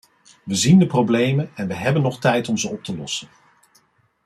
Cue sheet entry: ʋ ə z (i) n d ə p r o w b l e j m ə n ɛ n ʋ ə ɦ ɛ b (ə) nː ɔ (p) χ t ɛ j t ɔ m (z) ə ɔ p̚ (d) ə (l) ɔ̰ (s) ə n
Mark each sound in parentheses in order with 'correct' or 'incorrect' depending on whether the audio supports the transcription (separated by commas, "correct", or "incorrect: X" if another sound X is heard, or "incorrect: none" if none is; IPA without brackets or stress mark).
correct, correct, incorrect: none, correct, incorrect: t, correct, correct